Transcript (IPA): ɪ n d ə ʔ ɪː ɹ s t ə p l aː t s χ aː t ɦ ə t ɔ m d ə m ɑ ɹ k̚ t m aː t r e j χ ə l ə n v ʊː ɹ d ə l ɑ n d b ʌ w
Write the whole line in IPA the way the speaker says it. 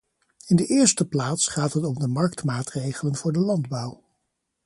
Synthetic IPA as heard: ɪ n d ə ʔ ɪː ɹ s t ə p l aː t s χ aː t ɦ ə t ɔ m d ə m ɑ ɹ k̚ t m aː t r e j χ ə l ə n v ʊː ɹ d ə l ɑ n d b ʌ w